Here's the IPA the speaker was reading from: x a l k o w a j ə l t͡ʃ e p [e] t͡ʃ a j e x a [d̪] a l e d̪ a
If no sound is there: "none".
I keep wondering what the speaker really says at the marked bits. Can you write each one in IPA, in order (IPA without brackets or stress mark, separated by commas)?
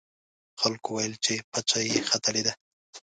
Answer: a, t̪